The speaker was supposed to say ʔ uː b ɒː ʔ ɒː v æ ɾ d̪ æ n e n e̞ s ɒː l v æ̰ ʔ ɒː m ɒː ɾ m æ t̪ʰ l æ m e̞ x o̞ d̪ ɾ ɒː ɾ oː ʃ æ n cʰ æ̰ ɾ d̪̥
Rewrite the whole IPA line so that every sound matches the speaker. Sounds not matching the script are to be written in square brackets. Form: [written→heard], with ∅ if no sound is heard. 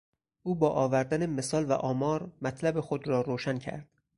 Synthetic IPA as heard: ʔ uː b ɒː ʔ ɒː v æ ɾ d̪ æ n e [n→m] e̞ s ɒː l v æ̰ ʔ ɒː m ɒː ɾ m æ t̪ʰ l æ [m→b] e̞ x o̞ d̪ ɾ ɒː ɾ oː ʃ æ n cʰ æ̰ ɾ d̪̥